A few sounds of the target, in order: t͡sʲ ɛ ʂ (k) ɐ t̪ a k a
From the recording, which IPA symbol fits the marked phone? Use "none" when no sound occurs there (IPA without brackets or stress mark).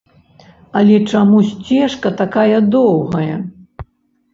k